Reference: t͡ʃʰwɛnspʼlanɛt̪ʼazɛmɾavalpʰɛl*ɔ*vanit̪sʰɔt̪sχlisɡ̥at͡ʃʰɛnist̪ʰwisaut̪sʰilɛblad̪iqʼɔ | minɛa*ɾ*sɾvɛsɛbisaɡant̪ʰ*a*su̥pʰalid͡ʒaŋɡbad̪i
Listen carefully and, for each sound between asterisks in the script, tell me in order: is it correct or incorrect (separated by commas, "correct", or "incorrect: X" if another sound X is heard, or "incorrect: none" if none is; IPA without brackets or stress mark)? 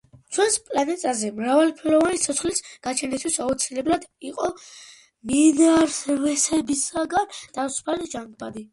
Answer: correct, correct, correct